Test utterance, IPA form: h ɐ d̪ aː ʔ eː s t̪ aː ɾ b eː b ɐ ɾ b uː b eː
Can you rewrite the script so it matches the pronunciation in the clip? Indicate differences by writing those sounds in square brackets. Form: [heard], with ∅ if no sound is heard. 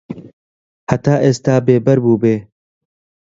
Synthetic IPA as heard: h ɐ [t̪] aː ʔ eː s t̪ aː [∅] b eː b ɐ ɾ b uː b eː